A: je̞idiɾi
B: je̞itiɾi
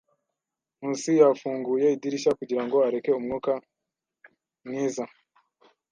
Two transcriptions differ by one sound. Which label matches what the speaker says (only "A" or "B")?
A